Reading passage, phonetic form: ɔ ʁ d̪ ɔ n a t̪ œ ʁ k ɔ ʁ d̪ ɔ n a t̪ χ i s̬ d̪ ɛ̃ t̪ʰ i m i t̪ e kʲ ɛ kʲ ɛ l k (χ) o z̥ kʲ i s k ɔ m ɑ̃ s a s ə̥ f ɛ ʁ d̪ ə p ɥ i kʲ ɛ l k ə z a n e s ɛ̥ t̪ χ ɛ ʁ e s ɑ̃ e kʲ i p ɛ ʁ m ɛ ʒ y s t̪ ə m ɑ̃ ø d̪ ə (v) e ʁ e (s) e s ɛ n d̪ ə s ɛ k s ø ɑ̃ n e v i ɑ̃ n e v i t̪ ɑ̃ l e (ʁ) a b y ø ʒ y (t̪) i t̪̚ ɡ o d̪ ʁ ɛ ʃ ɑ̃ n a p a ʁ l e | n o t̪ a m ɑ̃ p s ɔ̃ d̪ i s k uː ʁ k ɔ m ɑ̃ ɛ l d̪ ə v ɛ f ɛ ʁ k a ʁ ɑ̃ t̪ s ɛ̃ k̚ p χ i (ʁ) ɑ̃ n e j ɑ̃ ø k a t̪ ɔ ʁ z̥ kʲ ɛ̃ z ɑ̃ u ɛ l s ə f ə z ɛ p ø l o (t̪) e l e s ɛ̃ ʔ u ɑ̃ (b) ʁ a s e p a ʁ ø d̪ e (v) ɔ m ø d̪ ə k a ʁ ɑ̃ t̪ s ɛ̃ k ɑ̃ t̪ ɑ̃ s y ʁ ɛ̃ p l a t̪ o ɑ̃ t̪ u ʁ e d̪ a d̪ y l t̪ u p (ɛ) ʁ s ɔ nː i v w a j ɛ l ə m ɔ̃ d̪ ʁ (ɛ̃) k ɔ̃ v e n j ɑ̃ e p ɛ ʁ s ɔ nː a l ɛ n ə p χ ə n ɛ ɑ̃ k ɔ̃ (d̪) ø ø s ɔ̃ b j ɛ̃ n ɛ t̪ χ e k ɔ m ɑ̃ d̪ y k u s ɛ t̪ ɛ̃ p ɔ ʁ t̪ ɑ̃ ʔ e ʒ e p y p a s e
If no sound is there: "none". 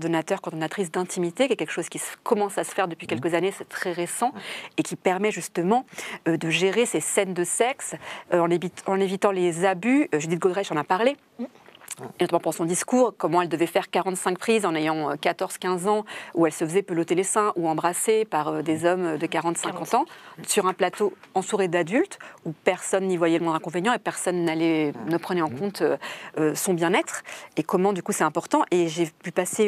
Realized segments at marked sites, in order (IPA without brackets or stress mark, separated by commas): ʃ, ʒ, s, z, d̪, z, t̪, b, z, ɛ, ɛ̃, t̪